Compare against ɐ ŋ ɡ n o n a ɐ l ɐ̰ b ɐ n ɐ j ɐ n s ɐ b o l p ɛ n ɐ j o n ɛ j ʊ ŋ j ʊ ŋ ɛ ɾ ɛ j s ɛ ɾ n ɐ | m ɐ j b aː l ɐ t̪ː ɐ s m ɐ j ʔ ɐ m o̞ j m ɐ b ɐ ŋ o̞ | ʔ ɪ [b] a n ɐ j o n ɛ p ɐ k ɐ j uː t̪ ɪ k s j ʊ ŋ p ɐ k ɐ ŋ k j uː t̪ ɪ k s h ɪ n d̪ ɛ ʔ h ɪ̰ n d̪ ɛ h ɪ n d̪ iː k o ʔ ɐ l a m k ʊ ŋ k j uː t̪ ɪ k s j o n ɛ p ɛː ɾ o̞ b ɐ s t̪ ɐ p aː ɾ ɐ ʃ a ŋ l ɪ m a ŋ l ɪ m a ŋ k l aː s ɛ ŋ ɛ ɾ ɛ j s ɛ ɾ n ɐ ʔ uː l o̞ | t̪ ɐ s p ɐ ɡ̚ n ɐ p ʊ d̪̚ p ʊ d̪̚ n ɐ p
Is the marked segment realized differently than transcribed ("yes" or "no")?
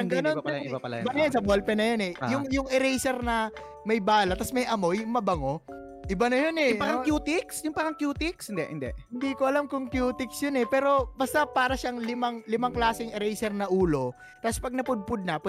no